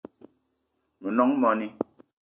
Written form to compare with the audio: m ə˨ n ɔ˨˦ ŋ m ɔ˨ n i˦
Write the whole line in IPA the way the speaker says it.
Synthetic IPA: m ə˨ n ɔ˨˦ ŋ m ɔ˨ n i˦